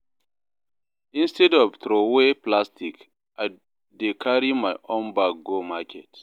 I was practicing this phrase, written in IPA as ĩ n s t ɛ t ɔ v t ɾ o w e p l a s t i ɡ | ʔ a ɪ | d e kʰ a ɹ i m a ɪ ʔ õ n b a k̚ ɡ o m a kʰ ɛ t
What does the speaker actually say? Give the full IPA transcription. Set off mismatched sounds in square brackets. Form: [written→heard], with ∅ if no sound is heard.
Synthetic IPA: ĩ n s t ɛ [t→d] ɔ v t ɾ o w e p l a s t i [ɡ→k] | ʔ a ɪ | d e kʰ a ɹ i m a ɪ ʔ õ n b a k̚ ɡ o m a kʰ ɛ t